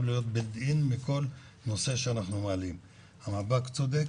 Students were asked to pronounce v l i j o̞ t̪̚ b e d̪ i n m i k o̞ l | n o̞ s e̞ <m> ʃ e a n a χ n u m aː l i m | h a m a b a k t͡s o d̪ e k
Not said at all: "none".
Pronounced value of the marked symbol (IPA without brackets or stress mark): none